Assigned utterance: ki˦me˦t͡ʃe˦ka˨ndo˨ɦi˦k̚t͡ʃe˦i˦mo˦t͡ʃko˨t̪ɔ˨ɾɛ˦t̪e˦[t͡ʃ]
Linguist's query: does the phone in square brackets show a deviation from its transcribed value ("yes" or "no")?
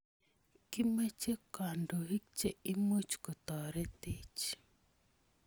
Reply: no